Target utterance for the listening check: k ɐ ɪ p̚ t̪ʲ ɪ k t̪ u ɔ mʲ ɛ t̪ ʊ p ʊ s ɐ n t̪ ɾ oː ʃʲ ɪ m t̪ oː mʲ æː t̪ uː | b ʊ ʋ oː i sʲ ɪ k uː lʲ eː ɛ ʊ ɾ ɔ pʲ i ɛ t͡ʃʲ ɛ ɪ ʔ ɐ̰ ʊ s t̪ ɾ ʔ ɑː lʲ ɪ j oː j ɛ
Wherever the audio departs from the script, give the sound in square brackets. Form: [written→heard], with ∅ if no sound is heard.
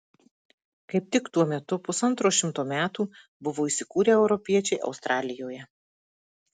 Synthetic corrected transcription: k ɐ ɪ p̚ t̪ʲ ɪ k t̪ u ɔ mʲ ɛ t̪ ʊ p ʊ s ɐ n t̪ ɾ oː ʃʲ ɪ m t̪ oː mʲ æː t̪ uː | b ʊ ʋ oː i sʲ ɪ k uː [lʲ→ɾʲ] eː ɛ ʊ ɾ ɔ pʲ i ɛ t͡ʃʲ ɛ ɪ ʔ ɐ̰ ʊ s t̪ ɾ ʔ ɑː lʲ ɪ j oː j ɛ

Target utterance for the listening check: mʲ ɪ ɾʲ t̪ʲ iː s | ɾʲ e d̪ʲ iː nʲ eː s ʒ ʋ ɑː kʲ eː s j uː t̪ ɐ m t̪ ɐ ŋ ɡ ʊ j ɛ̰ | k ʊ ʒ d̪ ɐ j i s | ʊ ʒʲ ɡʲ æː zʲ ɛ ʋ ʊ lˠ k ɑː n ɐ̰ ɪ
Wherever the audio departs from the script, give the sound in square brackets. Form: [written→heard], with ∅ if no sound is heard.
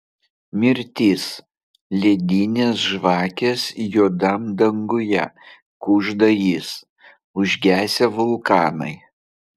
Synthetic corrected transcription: mʲ ɪ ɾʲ t̪ʲ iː s | [ɾʲ→lʲ] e d̪ʲ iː nʲ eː s ʒ ʋ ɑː kʲ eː s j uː [t̪→d̪] ɐ m [t̪→d̪] ɐ ŋ ɡ ʊ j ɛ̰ | k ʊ ʒ d̪ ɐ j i s | ʊ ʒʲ ɡʲ æː [zʲ→sʲ] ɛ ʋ ʊ lˠ k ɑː n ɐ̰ ɪ

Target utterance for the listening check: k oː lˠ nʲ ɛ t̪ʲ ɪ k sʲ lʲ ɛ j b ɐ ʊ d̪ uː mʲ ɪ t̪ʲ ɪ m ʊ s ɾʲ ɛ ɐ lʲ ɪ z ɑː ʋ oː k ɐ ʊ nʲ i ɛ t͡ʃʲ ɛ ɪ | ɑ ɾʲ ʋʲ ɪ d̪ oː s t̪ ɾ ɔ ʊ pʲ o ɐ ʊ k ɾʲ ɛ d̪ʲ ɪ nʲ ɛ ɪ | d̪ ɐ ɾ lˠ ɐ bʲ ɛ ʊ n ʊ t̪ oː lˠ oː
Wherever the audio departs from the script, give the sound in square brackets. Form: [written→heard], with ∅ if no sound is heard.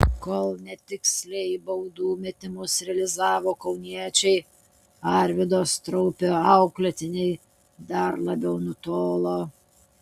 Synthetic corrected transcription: k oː lˠ nʲ ɛ t̪ʲ ɪ k sʲ lʲ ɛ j b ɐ ʊ d̪ uː mʲ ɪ t̪ʲ ɪ m ʊ s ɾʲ ɛ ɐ lʲ ɪ z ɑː ʋ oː k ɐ ʊ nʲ i ɛ t͡ʃʲ ɛ ɪ | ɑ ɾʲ ʋʲ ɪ d̪ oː s t̪ ɾ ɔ ʊ pʲ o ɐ ʊ k [ɾʲ→lʲ] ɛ [d̪ʲ→t̪ʲ] ɪ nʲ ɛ ɪ | d̪ ɐ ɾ lˠ ɐ bʲ ɛ ʊ n ʊ t̪ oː lˠ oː

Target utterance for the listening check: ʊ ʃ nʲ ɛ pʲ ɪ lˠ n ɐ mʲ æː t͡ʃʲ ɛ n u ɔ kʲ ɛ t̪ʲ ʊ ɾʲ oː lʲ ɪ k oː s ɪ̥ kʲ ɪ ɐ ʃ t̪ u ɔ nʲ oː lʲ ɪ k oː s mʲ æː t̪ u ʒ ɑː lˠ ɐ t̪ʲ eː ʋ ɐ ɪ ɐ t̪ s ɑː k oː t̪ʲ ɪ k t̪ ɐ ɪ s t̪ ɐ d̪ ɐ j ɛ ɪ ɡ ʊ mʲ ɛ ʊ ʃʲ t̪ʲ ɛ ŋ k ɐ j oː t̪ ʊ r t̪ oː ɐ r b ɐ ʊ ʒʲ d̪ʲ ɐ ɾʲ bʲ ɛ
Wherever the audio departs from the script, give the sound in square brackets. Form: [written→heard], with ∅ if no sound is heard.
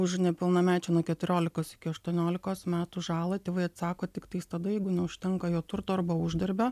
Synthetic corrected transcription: ʊ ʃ nʲ ɛ pʲ ɪ lˠ n ɐ mʲ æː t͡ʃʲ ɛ n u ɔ kʲ ɛ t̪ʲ ʊ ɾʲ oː lʲ ɪ k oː s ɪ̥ kʲ ɪ ɐ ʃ t̪ u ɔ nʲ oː lʲ ɪ k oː s mʲ æː t̪ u ʒ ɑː lˠ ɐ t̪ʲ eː ʋ ɐ ɪ ɐ t̪ s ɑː k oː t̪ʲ ɪ k t̪ ɐ ɪ s t̪ ɐ d̪ ɐ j ɛ ɪ ɡ ʊ [mʲ→nʲ] ɛ ʊ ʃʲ t̪ʲ ɛ ŋ k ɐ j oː t̪ ʊ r t̪ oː ɐ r b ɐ ʊ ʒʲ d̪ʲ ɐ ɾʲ bʲ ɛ

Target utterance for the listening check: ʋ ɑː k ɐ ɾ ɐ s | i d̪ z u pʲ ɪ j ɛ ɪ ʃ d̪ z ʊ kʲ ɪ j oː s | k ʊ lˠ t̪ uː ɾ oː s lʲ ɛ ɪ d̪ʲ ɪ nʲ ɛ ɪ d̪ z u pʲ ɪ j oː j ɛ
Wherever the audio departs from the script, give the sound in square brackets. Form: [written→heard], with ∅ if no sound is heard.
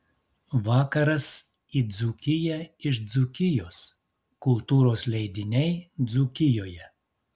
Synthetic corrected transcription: ʋ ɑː k ɐ ɾ ɐ s | i d̪ z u [pʲ→kʲ] ɪ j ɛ ɪ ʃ d̪ z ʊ kʲ ɪ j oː s | k ʊ lˠ t̪ uː ɾ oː s lʲ ɛ ɪ d̪ʲ ɪ nʲ ɛ ɪ d̪ z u [pʲ→kʲ] ɪ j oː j ɛ

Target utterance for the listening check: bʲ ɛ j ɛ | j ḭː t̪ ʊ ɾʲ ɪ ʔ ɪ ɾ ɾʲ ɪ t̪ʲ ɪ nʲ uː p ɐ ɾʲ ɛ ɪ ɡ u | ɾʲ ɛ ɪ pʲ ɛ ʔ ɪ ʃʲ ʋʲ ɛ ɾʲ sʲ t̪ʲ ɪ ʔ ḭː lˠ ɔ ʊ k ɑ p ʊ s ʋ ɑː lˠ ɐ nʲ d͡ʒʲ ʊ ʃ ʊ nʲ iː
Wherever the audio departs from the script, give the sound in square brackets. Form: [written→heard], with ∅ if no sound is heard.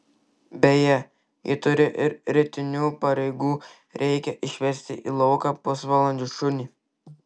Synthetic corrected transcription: bʲ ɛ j ɛ | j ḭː t̪ ʊ ɾʲ ɪ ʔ ɪ ɾ ɾʲ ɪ t̪ʲ ɪ nʲ uː p ɐ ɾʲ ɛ ɪ ɡ [u→uː] | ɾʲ ɛ ɪ [pʲ→kʲ] ɛ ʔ ɪ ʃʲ ʋʲ ɛ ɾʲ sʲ t̪ʲ ɪ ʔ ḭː lˠ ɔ ʊ k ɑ p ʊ s ʋ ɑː lˠ ɐ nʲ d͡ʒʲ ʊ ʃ ʊ nʲ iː

